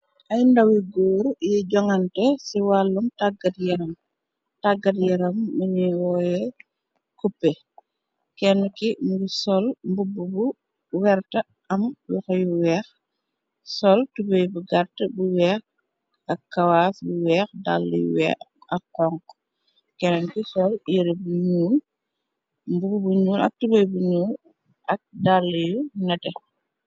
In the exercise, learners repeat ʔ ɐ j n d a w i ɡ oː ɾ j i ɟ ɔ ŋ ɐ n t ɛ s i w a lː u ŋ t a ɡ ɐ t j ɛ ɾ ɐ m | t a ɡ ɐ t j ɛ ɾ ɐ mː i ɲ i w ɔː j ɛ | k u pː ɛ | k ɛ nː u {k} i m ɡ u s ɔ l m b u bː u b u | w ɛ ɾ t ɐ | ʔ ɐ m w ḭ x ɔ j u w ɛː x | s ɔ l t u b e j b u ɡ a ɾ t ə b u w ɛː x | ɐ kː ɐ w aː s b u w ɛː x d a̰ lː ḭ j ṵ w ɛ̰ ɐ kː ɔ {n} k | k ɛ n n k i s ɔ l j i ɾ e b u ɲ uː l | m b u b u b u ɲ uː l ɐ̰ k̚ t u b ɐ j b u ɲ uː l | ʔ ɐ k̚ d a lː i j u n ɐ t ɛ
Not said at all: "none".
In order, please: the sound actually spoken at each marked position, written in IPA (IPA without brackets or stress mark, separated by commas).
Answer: k, ŋ